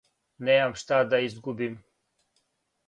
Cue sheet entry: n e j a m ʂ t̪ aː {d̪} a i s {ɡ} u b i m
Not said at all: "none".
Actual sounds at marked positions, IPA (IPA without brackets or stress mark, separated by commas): d̪, ɡ